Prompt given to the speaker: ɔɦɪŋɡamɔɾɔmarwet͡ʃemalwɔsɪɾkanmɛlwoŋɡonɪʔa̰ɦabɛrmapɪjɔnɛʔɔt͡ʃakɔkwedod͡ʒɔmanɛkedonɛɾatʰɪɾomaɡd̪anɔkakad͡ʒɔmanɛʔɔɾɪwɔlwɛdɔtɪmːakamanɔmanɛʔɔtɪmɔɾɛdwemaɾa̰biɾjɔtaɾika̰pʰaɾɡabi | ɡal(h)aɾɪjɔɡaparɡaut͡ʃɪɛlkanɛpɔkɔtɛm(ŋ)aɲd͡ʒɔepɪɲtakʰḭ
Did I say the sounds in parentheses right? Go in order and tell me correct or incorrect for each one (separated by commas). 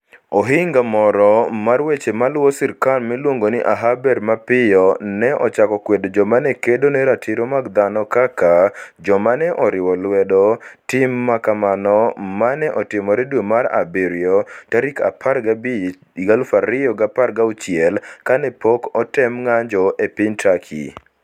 incorrect, correct